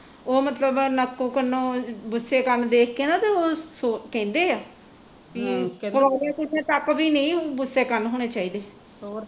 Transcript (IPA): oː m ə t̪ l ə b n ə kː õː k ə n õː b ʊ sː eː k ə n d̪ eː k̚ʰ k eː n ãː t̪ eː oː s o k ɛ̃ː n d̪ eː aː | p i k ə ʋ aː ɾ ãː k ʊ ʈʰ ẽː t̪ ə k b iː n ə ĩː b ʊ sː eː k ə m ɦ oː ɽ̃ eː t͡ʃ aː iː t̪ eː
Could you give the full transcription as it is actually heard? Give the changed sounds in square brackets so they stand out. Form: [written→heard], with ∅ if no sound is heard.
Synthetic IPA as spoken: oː m ə t̪ l ə b n ə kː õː k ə n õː b ʊ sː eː k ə n d̪ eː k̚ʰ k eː n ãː t̪ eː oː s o k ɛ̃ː n d̪ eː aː | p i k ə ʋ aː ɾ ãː k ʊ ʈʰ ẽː t̪ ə k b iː n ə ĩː b ʊ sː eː k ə [m→n] ɦ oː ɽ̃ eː t͡ʃ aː iː [t̪→d̪] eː